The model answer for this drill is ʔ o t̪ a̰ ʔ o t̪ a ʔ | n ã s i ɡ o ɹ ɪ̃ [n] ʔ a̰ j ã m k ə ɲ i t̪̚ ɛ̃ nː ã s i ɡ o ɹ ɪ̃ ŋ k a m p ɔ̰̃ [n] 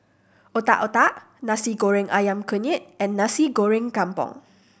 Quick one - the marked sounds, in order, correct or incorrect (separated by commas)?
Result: incorrect, incorrect